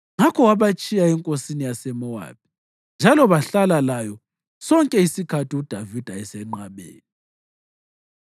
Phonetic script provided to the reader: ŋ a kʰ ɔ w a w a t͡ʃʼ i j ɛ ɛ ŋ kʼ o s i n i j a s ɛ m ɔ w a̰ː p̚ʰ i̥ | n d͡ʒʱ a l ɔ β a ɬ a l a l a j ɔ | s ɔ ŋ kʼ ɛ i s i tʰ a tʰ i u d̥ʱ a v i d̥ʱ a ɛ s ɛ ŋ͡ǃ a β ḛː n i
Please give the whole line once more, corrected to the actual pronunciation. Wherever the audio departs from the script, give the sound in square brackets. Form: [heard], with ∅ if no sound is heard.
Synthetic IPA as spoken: ŋ a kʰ ɔ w a [β] a t͡ʃʼ i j [a] ɛ ŋ kʼ o s i n i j a s ɛ m ɔ w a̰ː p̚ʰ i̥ | n d͡ʒʱ a l ɔ β a ɬ a l a l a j ɔ | s ɔ ŋ kʼ ɛ i s i [kʰ] a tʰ i u d̥ʱ a v i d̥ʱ a ɛ s ɛ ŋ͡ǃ a β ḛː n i